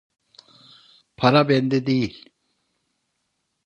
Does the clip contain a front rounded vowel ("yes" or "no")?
no